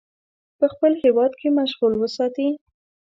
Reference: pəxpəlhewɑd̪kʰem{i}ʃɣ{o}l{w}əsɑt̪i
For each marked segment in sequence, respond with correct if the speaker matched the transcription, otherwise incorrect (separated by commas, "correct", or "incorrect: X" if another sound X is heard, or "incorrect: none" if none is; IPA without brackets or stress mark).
incorrect: a, incorrect: u, correct